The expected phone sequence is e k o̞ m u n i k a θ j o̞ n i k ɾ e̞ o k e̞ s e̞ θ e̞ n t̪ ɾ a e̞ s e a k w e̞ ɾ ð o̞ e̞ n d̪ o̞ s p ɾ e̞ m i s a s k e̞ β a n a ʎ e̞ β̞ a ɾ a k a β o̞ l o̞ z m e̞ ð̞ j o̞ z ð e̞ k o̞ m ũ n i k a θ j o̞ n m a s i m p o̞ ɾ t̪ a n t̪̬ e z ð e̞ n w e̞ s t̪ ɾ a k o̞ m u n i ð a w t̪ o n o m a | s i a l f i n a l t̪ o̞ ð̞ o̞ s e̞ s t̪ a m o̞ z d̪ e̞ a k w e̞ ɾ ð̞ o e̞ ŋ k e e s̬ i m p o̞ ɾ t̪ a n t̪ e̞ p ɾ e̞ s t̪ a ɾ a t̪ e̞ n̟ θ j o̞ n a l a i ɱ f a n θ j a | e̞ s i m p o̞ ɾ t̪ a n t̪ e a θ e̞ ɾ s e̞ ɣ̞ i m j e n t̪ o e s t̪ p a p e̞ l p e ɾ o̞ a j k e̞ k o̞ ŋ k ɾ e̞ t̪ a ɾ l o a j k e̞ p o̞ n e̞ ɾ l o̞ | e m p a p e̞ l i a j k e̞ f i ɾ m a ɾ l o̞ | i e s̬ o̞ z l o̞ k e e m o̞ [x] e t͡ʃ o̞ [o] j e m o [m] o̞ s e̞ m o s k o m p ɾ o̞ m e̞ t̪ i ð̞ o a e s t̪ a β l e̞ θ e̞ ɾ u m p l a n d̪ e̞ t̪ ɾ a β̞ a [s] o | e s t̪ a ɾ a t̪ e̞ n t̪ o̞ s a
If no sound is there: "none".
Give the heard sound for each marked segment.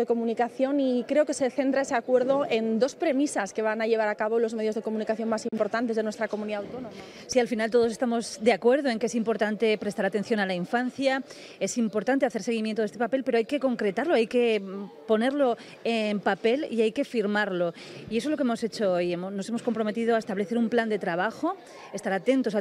s, o, n, x

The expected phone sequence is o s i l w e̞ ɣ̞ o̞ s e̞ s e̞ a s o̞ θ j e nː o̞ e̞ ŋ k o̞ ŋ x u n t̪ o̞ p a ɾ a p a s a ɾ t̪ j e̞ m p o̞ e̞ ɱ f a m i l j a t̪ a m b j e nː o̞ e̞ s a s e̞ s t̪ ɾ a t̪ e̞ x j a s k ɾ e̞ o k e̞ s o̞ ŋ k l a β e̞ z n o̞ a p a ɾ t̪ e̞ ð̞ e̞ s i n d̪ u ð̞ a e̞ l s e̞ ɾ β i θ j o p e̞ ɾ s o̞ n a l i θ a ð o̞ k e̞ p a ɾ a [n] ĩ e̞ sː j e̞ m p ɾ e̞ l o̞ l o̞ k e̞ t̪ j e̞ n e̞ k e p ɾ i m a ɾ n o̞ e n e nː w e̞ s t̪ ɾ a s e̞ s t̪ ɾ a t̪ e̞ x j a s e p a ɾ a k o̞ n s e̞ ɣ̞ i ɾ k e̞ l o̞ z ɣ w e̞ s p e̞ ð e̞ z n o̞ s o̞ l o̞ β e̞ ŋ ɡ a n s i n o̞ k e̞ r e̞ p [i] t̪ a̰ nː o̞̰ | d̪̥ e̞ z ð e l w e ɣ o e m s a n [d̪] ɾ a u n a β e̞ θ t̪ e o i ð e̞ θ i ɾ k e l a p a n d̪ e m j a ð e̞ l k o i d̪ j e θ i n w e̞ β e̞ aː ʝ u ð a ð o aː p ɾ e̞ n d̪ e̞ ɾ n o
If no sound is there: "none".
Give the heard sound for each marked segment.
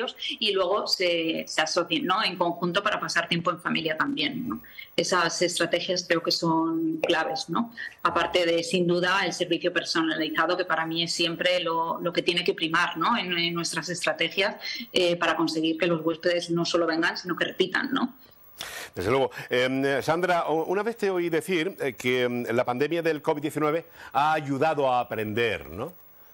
m, i, d̪

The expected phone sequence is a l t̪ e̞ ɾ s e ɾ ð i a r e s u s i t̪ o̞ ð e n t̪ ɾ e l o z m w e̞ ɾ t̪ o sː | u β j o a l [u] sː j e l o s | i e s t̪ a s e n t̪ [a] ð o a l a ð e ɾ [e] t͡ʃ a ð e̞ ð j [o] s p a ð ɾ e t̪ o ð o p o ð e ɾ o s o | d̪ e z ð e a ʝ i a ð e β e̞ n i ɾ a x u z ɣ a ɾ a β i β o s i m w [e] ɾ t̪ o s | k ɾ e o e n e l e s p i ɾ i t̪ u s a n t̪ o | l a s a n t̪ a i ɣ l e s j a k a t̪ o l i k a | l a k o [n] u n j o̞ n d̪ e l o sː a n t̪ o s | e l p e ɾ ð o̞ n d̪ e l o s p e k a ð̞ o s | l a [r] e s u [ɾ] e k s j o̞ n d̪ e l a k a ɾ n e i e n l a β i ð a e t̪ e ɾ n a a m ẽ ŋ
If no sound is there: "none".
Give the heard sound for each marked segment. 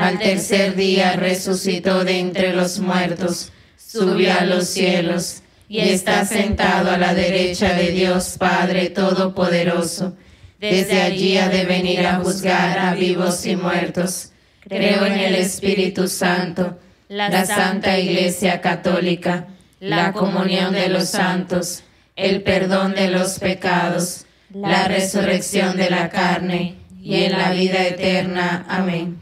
o, a, e, o, e, m, r, r

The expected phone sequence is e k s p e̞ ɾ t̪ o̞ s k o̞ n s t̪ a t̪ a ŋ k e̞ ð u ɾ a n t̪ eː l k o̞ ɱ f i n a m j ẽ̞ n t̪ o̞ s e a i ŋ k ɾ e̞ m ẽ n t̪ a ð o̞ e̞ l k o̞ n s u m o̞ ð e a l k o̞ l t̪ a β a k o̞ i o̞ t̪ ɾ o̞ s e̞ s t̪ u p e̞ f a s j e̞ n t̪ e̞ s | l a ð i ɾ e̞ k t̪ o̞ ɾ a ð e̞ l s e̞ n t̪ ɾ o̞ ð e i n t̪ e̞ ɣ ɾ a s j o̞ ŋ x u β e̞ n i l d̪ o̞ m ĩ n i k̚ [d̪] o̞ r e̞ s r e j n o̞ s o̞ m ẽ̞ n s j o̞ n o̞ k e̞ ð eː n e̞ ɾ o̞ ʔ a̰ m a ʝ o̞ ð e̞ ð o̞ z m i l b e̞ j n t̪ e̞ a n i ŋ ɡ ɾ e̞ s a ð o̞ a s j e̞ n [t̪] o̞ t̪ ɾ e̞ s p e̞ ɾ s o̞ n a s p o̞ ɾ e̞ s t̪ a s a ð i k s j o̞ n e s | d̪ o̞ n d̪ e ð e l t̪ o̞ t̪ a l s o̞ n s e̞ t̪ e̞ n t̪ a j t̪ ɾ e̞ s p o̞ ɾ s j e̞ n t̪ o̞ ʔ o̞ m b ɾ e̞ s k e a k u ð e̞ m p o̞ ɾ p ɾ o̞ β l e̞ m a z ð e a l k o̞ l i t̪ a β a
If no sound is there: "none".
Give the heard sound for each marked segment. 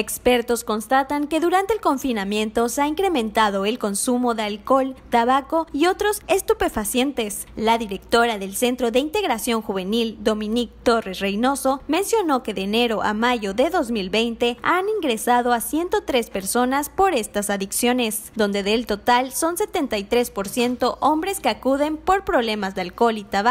t̪, t̪

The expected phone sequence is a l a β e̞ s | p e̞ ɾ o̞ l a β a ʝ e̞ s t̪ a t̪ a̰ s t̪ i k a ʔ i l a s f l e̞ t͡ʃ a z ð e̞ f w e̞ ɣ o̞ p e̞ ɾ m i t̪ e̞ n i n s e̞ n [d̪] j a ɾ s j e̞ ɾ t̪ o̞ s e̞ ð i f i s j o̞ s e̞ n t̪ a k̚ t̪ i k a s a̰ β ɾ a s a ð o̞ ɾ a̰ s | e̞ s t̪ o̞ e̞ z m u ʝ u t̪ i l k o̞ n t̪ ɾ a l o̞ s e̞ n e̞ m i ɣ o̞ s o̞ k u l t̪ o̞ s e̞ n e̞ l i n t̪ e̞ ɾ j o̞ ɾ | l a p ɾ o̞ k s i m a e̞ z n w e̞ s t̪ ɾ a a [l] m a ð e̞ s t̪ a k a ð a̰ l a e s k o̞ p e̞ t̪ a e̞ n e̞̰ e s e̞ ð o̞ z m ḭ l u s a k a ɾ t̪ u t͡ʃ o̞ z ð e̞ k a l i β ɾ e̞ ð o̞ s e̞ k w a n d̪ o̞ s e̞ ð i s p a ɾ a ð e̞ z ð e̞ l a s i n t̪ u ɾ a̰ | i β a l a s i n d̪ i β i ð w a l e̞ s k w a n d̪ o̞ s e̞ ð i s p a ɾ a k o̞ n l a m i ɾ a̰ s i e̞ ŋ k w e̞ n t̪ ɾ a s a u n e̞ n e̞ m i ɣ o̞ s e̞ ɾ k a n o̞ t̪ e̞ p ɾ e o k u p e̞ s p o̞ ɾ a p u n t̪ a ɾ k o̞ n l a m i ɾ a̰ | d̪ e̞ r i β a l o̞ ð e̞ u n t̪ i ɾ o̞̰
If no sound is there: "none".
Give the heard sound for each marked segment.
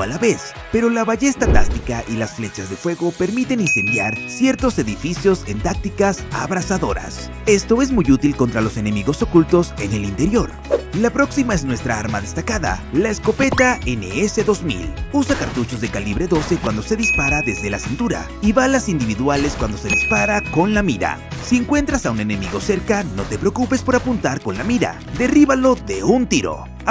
d̪, ɾ

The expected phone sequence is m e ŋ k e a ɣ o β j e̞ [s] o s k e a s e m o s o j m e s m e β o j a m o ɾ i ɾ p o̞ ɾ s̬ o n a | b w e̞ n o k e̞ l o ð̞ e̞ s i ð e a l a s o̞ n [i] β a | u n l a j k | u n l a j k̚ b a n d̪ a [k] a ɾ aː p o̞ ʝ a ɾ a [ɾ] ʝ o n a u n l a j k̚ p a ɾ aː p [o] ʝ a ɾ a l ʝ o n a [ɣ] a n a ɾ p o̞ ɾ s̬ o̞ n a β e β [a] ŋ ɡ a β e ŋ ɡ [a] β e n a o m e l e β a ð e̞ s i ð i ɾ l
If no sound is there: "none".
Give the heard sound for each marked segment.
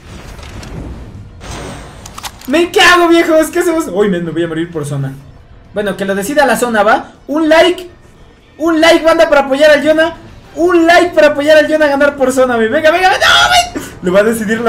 x, a, p, l, o, ɣ, e, a

